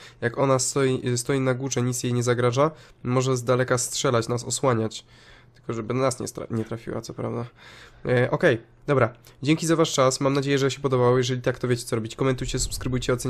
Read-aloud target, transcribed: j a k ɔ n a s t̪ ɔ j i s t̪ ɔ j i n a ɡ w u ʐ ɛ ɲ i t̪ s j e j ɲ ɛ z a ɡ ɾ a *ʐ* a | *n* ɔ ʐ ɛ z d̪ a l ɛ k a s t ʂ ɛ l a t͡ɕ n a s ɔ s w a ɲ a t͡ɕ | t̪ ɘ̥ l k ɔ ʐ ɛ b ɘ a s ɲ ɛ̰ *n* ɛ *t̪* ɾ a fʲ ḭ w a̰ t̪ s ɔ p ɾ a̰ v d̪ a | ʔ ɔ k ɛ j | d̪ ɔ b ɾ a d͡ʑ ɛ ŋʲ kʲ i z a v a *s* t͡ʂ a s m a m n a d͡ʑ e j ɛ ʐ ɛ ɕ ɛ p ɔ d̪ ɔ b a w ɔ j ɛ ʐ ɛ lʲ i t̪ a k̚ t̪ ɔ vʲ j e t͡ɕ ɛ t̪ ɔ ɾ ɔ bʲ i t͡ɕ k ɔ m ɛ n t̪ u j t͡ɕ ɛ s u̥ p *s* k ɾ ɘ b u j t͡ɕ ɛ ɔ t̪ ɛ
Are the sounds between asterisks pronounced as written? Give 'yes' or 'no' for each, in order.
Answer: yes, no, no, yes, no, yes

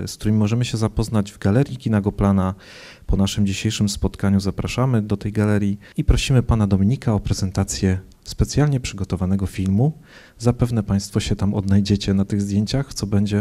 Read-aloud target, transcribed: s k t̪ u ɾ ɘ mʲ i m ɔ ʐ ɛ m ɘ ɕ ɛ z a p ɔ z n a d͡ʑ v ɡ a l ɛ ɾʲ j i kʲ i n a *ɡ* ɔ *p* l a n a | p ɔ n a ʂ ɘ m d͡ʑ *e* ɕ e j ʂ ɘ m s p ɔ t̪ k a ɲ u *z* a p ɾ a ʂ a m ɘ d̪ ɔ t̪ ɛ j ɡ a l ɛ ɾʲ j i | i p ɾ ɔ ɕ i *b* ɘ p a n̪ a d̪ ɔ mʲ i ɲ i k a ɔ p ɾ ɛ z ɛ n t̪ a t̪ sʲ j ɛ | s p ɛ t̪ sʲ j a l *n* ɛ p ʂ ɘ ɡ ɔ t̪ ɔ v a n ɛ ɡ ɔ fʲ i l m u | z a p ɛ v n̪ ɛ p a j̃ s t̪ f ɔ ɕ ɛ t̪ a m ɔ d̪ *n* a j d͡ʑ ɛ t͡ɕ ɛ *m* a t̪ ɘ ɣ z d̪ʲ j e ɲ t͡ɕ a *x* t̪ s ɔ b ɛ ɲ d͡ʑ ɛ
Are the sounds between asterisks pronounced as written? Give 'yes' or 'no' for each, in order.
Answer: yes, yes, no, yes, no, no, yes, no, yes

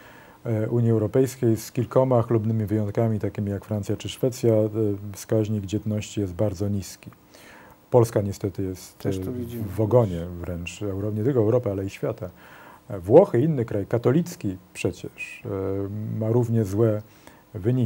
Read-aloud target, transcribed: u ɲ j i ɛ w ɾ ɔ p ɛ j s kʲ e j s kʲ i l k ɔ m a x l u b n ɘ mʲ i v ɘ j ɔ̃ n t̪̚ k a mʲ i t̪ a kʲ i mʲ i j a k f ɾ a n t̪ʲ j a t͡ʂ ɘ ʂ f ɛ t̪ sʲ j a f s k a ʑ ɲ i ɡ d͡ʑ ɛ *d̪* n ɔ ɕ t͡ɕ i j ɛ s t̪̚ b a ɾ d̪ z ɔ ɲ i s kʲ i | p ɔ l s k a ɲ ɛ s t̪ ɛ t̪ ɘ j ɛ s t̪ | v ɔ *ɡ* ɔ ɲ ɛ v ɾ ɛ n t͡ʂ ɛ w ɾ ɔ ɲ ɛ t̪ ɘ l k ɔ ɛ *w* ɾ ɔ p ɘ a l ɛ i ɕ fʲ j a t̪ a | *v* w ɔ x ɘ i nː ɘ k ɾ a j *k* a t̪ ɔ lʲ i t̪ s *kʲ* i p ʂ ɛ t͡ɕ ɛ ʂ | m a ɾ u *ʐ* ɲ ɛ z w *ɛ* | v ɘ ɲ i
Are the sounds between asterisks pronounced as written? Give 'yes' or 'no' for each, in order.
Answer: yes, yes, yes, yes, yes, yes, no, yes

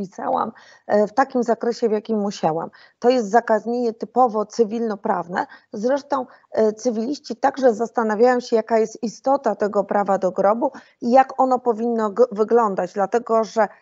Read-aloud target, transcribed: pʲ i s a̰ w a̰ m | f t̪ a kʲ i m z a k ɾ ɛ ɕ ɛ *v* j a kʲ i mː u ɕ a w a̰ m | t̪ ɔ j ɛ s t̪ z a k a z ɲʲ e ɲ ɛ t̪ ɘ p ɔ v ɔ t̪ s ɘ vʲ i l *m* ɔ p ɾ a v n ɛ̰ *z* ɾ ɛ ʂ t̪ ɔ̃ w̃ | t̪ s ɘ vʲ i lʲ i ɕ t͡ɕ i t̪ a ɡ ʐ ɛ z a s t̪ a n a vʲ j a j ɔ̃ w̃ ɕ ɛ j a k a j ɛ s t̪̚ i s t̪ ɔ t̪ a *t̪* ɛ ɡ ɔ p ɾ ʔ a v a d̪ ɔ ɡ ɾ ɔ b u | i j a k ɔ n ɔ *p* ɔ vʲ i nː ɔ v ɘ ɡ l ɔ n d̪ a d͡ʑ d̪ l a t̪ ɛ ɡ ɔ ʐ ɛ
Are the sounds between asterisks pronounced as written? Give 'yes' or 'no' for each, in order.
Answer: yes, no, yes, yes, yes

